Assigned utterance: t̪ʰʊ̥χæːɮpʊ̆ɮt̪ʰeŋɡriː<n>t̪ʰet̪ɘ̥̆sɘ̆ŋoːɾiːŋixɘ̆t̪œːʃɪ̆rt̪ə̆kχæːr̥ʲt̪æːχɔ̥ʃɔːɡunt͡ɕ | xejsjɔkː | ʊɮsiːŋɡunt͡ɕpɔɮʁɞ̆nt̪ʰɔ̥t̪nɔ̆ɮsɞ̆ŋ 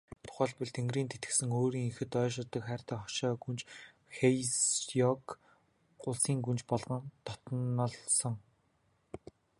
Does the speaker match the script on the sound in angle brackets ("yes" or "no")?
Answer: yes